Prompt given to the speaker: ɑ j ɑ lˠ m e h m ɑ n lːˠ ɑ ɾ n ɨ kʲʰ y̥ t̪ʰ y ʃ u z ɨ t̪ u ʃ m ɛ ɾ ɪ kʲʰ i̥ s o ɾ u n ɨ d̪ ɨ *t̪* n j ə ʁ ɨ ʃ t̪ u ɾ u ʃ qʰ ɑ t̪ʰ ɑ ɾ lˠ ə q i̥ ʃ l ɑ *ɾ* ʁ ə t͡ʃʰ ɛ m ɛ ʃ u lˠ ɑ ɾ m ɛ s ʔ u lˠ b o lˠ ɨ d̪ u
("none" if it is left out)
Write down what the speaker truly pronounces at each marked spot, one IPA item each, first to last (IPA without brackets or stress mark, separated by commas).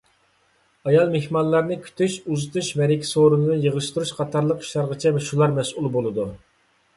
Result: none, ɾ